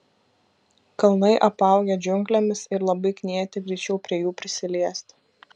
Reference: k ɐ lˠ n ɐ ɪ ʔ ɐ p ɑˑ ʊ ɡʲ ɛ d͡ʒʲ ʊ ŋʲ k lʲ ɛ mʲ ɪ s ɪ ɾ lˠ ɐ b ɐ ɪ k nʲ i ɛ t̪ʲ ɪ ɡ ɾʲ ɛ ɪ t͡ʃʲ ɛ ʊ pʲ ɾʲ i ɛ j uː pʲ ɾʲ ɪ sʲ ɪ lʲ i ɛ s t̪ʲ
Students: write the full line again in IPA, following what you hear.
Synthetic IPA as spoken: k ɐ lˠ n ɐ ɪ ʔ ɐ p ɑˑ ʊ ɡʲ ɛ d͡ʒʲ ʊ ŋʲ k lʲ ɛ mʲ ɪ s ɪ ɾ lˠ ɐ b ɐ ɪ k nʲ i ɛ t̪ʲ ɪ ɡ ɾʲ ɛ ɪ t͡ʃʲ ɛ ʊ pʲ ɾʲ i ɛ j uː pʲ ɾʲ ɪ sʲ ɪ lʲ i ɛ s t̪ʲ